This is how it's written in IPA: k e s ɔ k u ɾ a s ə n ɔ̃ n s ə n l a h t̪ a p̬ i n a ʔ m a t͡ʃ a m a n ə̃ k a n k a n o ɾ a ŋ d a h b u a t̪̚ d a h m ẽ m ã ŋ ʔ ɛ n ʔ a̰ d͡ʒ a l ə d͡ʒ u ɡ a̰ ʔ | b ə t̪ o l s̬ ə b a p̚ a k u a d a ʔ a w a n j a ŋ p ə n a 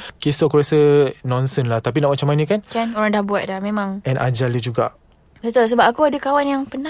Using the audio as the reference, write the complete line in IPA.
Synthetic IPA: k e s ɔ k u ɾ a s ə n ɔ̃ n s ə n l a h t̪ a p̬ i n a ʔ m a t͡ʃ a m a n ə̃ k a n k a n o ɾ a ŋ d a h b u a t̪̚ d a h m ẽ m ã ŋ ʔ ɛ n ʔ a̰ d͡ʒ a l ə d͡ʒ u ɡ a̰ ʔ | b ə t̪ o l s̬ ə b a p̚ a k u a d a k a w a n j a ŋ p ə n a